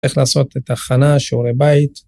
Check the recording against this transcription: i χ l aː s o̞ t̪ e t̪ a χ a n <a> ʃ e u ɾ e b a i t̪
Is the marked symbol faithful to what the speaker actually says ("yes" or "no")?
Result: yes